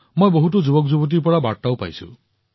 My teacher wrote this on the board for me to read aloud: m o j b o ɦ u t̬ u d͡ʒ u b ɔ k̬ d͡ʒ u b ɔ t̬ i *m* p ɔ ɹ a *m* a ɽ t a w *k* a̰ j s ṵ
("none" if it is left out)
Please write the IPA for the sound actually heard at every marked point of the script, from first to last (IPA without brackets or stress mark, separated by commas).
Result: none, b, p